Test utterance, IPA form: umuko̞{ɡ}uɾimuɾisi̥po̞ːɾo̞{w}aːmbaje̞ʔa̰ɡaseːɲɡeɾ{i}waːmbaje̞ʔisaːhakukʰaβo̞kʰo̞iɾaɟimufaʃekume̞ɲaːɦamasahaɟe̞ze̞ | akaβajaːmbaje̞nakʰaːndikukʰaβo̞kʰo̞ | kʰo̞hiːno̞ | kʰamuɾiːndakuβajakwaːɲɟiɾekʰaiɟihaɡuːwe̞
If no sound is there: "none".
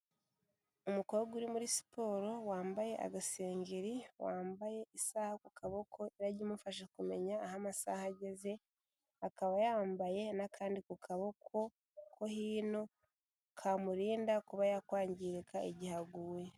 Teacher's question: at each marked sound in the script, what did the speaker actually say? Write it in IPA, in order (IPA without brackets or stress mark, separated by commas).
ɡ, w, i